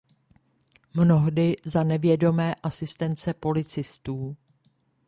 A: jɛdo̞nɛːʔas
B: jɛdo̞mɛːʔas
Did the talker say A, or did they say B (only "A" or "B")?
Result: B